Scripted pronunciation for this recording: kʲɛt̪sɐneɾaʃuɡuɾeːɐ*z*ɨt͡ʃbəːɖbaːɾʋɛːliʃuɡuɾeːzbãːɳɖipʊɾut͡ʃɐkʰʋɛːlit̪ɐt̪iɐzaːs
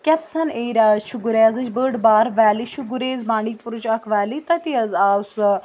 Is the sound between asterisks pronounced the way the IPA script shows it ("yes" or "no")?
yes